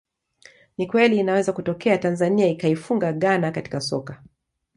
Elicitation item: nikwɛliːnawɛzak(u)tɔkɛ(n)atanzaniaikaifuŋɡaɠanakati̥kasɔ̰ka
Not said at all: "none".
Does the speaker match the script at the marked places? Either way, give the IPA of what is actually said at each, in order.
u, none

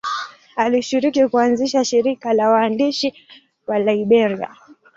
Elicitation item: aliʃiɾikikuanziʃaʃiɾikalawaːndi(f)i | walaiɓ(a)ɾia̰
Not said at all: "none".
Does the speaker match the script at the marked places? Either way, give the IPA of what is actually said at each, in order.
ʃ, ɛ

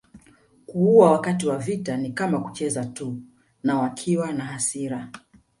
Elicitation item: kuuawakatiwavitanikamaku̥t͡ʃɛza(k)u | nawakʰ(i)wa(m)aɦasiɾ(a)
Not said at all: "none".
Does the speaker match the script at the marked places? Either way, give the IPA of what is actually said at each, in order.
t, i, n, a

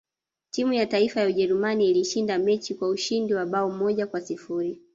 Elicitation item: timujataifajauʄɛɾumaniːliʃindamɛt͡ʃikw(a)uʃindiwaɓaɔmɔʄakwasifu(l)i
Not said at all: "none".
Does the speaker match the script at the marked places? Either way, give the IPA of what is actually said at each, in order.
a, ɾ

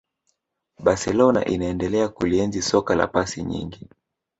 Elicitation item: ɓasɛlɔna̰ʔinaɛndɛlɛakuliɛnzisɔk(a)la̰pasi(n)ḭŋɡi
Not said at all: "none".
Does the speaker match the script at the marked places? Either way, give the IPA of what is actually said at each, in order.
a, ɲ

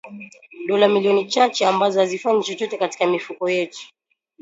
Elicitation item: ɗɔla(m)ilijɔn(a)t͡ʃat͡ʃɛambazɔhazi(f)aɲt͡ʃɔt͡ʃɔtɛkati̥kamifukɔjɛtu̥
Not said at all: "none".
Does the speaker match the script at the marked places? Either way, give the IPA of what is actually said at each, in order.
m, i, f

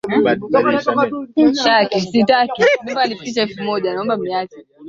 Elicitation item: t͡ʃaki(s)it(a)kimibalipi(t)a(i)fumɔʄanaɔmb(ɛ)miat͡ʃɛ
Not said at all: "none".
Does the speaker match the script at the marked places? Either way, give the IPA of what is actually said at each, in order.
s, a, t͡ʃ, ɛ, a

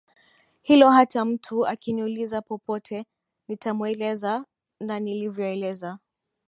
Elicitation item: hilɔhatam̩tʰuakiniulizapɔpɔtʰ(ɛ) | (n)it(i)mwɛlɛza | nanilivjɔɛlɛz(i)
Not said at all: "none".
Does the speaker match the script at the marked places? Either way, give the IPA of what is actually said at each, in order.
ɛ, n, a, a

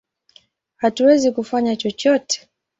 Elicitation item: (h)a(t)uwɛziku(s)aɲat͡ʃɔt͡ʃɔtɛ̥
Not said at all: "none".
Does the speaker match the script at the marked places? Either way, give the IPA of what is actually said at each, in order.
h, t, f

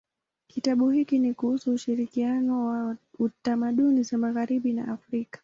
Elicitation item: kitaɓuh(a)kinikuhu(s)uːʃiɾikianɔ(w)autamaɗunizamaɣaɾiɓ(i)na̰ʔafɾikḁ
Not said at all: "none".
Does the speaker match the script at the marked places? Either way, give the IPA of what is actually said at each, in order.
i, s, w, i

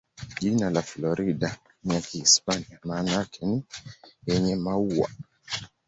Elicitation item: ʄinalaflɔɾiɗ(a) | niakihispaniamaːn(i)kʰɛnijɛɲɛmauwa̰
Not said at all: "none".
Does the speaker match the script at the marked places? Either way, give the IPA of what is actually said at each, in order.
a, a

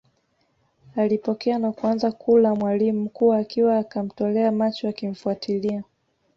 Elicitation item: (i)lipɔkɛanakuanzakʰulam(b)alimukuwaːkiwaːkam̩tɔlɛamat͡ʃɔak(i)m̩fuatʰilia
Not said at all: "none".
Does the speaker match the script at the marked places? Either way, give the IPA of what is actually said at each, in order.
a, w, i

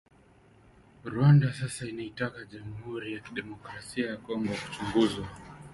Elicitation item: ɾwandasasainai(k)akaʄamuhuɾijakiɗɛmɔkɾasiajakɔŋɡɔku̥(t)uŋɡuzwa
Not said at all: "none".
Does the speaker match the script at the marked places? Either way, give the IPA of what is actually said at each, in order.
t, t͡ʃ

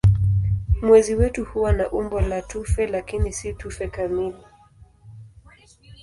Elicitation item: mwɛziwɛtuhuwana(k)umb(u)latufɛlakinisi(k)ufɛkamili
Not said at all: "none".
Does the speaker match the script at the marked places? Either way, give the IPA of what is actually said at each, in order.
ʔ, ɔ, t

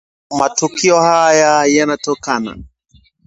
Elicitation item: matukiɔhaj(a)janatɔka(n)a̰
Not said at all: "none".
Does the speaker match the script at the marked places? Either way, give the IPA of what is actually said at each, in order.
a, n

